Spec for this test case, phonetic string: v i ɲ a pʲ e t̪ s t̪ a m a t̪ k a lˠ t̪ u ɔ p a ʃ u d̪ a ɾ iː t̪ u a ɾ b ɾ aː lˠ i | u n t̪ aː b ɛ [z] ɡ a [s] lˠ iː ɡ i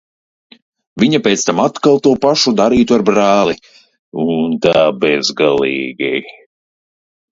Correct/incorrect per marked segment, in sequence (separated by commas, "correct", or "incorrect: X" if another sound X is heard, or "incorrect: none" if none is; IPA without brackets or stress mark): correct, incorrect: none